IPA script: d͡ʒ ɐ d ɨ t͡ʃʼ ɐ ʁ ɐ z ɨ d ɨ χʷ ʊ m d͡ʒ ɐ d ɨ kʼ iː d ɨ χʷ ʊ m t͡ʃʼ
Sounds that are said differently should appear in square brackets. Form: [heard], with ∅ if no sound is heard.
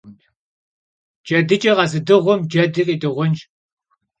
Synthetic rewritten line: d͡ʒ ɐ d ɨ t͡ʃʼ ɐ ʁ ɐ z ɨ d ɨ [ʁʷ] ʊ m d͡ʒ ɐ d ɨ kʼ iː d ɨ [ʁʷ] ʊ [n] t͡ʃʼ